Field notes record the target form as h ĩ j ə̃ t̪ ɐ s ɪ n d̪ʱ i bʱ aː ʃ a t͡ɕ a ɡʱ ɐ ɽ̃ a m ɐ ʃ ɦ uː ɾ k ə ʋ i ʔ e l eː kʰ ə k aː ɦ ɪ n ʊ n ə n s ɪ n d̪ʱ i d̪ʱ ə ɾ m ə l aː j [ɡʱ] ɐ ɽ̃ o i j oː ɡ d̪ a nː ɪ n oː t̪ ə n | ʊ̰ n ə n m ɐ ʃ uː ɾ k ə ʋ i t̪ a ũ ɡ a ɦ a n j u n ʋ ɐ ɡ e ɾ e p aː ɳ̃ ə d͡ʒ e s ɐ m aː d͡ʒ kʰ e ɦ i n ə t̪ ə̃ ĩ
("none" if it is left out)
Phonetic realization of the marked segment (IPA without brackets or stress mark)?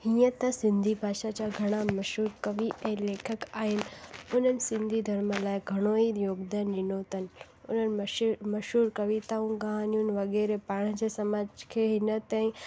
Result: ɡʱ